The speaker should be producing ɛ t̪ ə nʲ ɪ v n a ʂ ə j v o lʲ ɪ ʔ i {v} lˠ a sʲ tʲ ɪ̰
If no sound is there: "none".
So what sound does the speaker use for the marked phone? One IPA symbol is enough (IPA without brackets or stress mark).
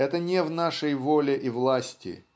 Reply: v